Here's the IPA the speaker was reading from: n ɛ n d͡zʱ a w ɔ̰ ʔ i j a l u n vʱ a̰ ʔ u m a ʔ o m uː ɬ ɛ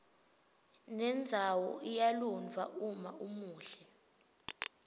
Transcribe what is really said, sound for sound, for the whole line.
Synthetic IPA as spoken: n ɛ n d͡zʱ a w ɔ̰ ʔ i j a l u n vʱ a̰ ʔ u m a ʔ u m uː ɬ ɛ